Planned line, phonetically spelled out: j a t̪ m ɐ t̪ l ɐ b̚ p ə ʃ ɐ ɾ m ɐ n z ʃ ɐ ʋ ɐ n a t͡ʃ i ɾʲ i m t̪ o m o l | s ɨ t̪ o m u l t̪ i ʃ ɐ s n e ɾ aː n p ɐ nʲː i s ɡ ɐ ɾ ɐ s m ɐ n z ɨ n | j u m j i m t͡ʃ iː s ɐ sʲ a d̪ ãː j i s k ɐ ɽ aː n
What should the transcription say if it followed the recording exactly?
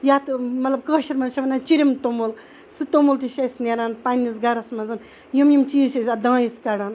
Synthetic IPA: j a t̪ m ɐ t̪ l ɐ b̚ k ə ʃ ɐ ɾ m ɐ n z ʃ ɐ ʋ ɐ n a t͡ʃ i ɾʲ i m t̪ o m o l | s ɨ t̪ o m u l t̪ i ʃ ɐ s n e ɾ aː n p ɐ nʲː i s ɡ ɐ ɾ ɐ s m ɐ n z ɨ n | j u m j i m t͡ʃ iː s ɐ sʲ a d̪ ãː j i s k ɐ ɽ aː n

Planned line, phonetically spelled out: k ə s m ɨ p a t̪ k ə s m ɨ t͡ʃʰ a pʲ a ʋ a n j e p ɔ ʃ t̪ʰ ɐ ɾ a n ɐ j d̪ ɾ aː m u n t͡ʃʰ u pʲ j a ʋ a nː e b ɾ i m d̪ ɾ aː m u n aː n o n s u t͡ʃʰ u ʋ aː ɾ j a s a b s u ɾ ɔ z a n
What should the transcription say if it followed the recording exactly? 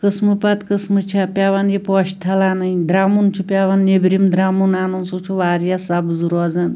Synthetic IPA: k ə s m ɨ p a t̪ k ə s m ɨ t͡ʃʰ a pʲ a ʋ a n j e p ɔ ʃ t̪ʰ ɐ l a n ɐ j d̪ ɾ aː m u n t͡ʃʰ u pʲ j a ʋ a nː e b ɾ i m d̪ ɾ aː m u n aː n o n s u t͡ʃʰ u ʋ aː ɾ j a s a b z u ɾ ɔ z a n

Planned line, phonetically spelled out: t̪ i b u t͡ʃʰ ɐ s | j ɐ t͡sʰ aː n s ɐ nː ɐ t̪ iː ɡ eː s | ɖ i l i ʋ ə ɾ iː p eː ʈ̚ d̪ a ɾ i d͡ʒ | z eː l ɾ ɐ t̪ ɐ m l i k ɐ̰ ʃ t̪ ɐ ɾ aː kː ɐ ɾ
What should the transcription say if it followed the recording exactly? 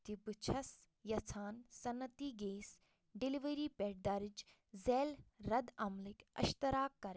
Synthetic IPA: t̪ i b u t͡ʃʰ ɐ s | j ɐ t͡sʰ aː n s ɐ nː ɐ t̪ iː ɡ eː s | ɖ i l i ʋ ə ɾ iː p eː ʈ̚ d̪ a ɾ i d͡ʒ | z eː l ɾ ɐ d̪ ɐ m l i k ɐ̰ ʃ t̪ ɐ ɾ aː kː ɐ ɾ

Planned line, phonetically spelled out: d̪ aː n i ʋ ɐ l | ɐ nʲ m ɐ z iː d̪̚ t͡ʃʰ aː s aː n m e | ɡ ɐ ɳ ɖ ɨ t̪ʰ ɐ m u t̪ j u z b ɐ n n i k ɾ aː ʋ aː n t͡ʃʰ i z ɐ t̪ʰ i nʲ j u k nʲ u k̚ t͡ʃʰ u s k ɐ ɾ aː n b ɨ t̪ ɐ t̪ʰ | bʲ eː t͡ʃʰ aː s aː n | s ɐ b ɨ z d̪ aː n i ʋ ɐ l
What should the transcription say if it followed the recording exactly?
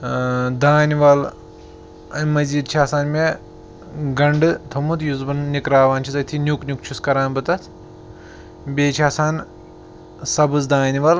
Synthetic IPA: d̪ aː n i ʋ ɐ l | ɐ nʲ m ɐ z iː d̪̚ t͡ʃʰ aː s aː n m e | ɡ ɐ ɳ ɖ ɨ t̪ʰ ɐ m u t̪ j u z b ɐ n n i k ɾ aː ʋ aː n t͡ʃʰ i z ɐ t̪ʰ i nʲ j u k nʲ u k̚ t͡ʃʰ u s k ɐ ɾ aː n b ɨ t̪ ɐ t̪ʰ | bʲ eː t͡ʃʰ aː s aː n | s ɐ b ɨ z d̪ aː n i ʋ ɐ l

